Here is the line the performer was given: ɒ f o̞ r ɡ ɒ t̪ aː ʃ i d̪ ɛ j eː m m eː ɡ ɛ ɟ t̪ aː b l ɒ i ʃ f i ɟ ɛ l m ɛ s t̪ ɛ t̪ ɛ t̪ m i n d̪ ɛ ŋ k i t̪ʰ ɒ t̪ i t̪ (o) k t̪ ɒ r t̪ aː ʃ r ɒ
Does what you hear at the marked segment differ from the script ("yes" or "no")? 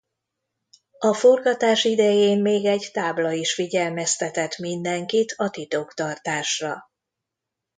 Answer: no